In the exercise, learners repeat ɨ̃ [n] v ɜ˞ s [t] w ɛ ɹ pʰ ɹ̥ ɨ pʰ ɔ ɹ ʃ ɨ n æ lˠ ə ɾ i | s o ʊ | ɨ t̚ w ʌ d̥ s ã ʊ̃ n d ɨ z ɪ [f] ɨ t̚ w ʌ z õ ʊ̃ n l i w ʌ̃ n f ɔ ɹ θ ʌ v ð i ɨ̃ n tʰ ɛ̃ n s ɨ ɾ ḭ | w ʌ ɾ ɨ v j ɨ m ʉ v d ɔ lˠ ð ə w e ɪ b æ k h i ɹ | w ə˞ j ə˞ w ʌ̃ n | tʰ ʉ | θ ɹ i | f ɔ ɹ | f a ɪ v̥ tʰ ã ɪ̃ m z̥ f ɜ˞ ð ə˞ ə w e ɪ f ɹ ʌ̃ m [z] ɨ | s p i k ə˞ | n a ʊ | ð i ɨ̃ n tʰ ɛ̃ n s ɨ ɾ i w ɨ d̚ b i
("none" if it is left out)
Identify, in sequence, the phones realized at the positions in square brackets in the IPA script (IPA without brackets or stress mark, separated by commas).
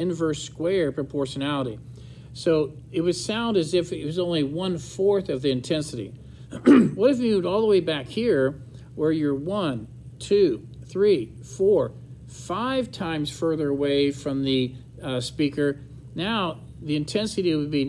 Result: n, k, f, ð